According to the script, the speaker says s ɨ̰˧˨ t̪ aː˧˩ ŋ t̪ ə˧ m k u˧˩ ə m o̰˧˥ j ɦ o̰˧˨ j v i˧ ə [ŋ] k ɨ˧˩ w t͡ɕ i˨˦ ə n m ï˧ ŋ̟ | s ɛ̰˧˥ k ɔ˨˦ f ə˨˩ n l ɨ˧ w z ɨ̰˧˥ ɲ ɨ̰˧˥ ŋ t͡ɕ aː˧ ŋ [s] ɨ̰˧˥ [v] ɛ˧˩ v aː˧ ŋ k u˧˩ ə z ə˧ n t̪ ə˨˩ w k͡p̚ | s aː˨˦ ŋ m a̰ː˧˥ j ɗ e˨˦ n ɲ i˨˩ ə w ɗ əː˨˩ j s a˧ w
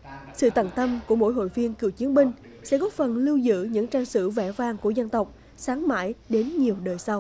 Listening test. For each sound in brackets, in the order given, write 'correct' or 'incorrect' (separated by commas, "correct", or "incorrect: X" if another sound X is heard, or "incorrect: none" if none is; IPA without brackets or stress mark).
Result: incorrect: n, correct, correct